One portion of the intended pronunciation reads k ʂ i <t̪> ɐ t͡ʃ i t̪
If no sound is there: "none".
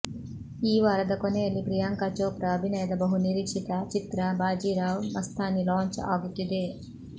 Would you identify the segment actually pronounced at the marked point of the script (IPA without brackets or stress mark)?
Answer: t̪